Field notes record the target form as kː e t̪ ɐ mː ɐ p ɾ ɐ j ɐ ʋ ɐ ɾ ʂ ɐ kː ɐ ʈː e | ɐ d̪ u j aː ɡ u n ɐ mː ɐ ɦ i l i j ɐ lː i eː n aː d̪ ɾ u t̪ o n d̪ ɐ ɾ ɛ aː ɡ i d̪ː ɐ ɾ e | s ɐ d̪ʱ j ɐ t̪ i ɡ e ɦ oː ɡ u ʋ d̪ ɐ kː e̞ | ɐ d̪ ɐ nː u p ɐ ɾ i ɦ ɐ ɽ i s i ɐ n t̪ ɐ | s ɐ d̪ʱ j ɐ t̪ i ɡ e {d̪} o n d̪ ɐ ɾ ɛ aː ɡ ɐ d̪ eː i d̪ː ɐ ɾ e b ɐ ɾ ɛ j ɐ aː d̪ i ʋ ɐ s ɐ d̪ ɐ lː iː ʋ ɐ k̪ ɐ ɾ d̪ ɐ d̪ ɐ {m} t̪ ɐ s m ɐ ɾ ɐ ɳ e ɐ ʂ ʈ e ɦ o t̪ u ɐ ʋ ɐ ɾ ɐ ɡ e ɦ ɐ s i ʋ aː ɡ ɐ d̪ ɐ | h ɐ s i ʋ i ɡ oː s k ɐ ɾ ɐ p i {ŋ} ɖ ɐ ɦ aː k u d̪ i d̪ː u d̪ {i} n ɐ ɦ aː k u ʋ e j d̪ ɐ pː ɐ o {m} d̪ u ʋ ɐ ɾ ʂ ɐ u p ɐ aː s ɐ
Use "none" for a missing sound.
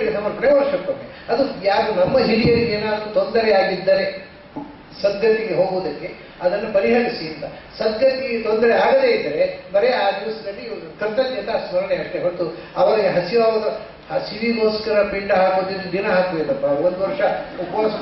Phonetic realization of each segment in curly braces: t̪, n, ɳ, i, n

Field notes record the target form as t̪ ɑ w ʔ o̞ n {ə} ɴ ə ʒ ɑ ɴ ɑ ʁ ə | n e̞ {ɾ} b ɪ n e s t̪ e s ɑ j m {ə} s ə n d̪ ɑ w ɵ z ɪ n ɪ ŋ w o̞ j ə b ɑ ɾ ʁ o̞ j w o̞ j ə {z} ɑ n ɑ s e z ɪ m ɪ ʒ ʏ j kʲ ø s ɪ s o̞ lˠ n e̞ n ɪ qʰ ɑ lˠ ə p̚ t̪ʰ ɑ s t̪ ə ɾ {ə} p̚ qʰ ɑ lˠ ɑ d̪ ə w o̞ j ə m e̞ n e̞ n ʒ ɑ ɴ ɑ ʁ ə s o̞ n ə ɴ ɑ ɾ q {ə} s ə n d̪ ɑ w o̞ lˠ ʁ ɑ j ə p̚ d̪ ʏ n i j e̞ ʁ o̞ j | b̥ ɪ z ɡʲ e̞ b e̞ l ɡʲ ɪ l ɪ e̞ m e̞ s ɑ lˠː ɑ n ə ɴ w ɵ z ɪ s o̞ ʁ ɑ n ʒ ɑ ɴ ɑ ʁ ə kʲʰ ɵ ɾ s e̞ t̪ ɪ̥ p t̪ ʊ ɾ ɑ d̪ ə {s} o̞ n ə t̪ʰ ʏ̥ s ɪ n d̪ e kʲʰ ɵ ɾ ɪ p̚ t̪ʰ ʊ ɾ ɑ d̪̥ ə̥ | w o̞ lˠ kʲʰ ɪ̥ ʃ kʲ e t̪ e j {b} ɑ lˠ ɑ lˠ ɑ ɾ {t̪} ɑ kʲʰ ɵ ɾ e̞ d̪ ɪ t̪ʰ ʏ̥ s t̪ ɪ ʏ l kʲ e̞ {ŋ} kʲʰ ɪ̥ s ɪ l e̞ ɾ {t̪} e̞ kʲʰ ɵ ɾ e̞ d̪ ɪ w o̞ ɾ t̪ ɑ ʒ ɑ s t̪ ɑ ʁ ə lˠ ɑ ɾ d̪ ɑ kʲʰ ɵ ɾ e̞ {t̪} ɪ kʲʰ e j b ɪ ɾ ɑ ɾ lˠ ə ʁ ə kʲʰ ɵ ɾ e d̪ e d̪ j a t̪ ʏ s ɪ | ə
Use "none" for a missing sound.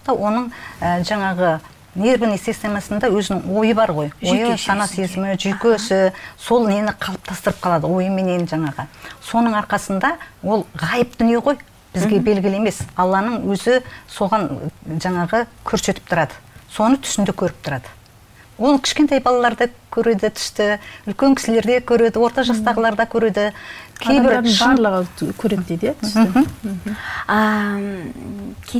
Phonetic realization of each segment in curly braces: ə, ɾ, ɑ, s, ə, ɑ, s, b, d̪, ŋ, d̪, d̪

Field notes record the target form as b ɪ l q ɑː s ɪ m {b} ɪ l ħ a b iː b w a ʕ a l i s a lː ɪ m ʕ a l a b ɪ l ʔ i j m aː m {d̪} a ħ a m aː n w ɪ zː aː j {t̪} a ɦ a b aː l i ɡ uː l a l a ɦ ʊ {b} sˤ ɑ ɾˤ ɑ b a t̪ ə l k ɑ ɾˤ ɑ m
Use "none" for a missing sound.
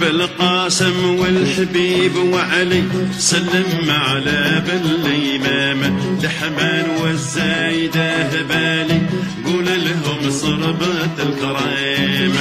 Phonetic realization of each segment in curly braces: w, d̪, d̪, m

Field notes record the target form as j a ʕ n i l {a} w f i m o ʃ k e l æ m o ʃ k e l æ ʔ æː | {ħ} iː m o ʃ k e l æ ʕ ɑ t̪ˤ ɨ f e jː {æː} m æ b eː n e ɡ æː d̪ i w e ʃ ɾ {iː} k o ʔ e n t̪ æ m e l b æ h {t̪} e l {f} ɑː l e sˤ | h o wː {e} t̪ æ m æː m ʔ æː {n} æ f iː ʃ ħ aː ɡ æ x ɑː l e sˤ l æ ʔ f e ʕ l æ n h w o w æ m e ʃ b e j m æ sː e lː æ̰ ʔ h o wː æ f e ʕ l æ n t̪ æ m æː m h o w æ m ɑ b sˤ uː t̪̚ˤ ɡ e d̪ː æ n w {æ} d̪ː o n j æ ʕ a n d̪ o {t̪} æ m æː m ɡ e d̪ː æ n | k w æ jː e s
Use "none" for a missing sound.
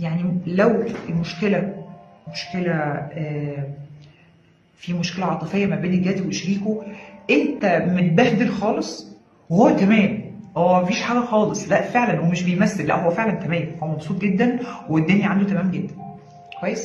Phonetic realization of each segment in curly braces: æ, f, æ, iː, d̪, x, æ, m, e, t̪

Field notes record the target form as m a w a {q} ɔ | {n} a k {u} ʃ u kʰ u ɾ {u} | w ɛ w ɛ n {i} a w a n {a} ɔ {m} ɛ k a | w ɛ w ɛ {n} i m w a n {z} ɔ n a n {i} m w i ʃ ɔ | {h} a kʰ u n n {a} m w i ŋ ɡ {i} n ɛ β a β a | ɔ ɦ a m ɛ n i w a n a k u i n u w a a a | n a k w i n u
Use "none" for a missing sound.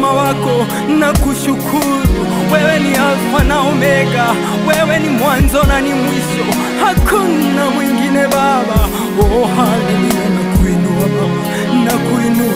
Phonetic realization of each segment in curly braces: k, n, u, u, i, a, m, n, z, i, h, a, i

